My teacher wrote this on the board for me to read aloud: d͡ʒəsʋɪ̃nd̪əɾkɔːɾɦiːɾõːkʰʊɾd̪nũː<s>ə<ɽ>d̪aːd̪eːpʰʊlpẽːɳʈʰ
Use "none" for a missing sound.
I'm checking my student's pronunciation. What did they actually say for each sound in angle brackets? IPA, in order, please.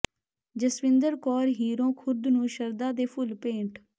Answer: ʃ, ɾ

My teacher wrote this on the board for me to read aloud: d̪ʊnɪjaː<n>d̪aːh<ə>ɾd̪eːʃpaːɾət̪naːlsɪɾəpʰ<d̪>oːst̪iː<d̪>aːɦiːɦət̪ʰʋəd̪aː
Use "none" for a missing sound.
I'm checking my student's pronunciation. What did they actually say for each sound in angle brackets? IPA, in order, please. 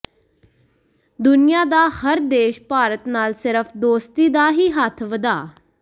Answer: none, ə, d̪, d̪

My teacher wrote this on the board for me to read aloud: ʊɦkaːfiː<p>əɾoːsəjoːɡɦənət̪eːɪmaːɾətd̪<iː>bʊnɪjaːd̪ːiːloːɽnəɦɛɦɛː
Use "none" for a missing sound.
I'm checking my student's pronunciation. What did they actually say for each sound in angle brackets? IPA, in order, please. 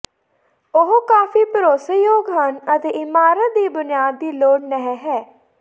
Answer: p, iː

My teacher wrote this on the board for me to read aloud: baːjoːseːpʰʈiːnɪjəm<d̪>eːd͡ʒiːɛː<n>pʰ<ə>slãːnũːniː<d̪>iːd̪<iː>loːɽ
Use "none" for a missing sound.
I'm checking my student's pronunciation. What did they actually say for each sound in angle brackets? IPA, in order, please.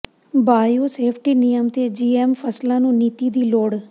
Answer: t̪, m, ə, t̪, iː

